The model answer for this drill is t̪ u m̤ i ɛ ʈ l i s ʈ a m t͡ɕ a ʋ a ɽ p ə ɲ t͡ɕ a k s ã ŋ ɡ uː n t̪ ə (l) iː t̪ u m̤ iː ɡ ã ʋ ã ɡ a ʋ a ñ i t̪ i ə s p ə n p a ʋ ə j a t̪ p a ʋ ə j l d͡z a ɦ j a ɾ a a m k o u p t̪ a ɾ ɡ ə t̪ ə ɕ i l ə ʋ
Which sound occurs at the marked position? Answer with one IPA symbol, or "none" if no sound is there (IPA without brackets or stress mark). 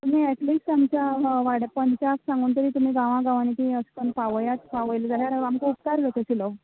ɾ